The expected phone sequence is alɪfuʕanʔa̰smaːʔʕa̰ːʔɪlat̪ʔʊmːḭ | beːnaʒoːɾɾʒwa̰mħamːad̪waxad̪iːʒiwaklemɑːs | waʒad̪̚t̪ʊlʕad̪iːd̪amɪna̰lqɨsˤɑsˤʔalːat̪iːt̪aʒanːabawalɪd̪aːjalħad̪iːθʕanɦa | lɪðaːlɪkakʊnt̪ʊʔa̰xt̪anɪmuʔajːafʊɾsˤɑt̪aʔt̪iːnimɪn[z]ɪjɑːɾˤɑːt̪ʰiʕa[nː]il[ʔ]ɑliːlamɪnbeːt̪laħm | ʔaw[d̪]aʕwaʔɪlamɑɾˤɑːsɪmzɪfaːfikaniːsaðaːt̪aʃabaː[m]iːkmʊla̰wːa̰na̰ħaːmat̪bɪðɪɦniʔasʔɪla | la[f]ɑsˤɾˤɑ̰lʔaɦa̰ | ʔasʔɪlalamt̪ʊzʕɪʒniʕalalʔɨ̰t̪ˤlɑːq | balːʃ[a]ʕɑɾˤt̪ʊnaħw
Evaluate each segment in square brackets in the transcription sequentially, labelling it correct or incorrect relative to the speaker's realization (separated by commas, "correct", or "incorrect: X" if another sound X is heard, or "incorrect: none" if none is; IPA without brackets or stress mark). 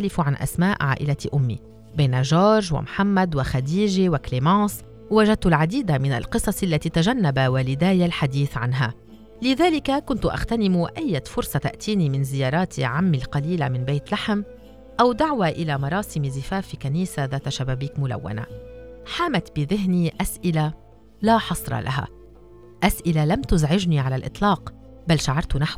correct, incorrect: mː, incorrect: q, correct, incorrect: b, incorrect: ħ, correct